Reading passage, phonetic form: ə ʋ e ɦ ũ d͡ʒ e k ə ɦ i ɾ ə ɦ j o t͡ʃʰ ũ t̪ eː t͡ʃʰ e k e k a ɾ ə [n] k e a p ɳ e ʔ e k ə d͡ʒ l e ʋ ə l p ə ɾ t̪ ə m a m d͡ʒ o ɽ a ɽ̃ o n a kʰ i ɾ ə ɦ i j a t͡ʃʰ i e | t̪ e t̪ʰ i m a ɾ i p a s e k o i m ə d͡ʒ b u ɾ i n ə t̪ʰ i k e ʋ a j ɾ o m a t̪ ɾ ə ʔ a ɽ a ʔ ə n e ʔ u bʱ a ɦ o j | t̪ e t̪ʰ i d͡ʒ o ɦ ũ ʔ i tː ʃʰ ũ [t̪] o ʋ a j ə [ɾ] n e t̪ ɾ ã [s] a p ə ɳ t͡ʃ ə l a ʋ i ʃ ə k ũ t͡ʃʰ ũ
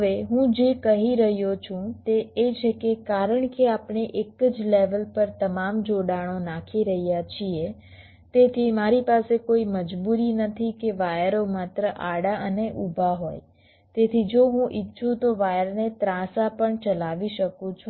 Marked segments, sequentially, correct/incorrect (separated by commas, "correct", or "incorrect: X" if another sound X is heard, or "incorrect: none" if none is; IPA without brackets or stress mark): incorrect: ɳ, correct, correct, correct